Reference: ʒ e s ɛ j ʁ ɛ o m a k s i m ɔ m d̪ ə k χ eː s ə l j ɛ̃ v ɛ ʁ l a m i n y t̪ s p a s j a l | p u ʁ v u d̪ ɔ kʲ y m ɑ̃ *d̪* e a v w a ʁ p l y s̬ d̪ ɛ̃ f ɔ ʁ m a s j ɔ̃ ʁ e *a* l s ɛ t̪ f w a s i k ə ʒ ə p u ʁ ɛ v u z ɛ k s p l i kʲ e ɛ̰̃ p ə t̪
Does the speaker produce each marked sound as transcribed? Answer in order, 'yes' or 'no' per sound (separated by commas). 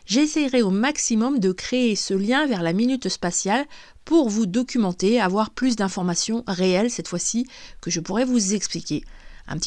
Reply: no, no